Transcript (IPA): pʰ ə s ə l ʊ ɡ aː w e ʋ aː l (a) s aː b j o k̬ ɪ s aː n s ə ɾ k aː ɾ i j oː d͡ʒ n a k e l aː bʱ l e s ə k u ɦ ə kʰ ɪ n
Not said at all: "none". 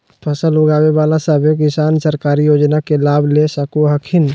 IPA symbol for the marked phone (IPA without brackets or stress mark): a